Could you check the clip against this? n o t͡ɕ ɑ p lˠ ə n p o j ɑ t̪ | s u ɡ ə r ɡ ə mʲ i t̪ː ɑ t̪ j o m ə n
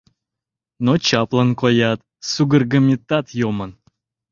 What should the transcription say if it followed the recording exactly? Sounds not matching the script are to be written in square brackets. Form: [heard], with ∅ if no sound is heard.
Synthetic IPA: n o t͡ɕ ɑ p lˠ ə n [k] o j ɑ t̪ | s u ɡ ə r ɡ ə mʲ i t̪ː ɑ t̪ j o m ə n